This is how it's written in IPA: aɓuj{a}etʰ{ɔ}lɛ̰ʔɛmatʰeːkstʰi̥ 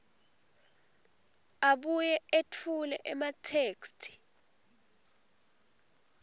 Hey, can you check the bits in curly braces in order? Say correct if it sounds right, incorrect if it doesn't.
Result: incorrect, incorrect

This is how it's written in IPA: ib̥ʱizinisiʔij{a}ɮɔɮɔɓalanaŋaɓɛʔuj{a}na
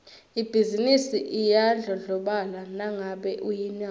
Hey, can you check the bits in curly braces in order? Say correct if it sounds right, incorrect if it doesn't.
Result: correct, incorrect

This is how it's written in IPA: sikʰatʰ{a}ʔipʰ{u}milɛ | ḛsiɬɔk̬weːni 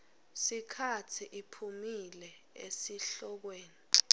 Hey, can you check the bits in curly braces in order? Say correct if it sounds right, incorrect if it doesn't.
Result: incorrect, correct

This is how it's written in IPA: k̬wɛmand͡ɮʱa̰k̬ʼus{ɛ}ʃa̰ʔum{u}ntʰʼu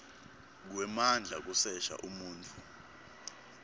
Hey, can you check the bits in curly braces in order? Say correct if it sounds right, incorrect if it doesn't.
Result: correct, incorrect

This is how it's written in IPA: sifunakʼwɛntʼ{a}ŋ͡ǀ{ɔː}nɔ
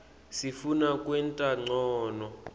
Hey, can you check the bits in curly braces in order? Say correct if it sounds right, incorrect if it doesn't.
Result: correct, correct

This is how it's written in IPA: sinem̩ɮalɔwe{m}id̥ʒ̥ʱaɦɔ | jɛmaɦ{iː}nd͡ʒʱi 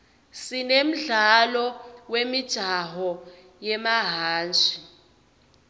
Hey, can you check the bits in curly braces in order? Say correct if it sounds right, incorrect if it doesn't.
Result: correct, incorrect

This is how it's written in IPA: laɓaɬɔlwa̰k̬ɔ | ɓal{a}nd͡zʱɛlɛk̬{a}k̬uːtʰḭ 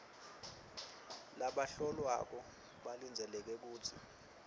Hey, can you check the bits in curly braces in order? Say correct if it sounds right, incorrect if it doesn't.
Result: incorrect, incorrect

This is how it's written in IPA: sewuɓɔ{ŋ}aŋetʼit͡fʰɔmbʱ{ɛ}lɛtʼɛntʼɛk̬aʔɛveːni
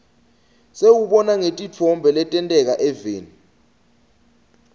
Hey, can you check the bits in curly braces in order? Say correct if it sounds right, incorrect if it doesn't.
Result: incorrect, correct

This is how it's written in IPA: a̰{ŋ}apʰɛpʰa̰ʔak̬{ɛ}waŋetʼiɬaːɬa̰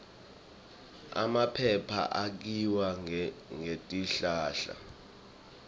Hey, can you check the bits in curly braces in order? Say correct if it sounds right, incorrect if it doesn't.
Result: incorrect, incorrect

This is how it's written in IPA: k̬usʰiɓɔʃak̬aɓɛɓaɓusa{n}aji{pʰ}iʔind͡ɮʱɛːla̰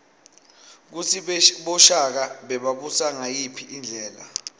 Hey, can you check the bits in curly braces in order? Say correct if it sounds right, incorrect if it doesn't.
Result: incorrect, correct

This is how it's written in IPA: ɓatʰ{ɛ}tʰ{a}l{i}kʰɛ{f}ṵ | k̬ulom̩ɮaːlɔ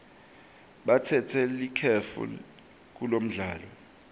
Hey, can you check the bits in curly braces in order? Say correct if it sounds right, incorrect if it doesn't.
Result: correct, incorrect, correct, correct

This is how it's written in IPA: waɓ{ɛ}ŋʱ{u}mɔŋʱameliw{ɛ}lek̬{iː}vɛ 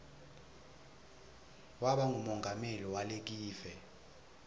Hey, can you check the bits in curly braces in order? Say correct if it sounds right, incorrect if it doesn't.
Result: incorrect, correct, incorrect, correct

